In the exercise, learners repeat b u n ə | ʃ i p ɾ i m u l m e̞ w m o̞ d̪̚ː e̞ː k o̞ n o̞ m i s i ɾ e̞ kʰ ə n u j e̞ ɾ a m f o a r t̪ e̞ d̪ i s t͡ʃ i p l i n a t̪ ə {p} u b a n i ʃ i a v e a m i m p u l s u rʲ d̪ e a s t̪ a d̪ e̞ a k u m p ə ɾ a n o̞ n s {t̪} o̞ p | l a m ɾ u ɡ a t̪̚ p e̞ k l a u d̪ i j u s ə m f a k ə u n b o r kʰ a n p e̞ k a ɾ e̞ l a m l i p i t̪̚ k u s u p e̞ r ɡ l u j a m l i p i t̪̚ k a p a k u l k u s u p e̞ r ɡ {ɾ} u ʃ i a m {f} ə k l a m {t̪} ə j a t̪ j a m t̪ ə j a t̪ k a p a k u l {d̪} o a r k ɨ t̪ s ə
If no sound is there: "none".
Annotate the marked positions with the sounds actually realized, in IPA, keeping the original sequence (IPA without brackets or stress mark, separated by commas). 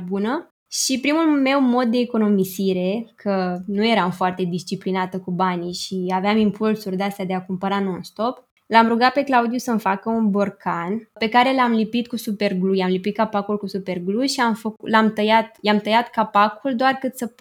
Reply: k, t̪, l, f, t̪, d̪